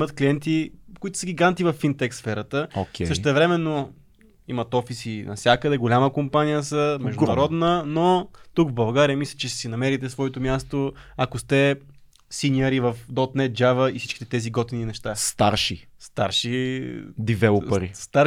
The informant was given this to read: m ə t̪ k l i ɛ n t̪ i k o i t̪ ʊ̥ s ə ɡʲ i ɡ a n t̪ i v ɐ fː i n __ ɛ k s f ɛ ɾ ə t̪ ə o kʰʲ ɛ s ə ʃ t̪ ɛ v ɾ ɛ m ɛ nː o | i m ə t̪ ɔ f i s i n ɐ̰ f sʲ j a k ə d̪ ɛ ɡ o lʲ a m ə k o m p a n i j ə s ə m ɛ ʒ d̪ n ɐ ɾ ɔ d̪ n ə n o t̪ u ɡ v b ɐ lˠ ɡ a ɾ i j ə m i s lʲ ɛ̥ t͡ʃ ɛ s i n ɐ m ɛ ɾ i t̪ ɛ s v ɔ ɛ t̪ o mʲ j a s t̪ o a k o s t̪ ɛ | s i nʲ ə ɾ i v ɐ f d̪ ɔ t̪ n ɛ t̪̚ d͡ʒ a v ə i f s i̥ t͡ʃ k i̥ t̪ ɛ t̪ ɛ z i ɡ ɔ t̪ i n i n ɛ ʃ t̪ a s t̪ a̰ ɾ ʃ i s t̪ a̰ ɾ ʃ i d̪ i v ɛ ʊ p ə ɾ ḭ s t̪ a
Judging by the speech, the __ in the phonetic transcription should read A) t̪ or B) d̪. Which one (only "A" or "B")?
A